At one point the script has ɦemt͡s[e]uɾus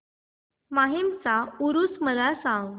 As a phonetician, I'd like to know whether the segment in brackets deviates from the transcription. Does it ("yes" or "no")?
yes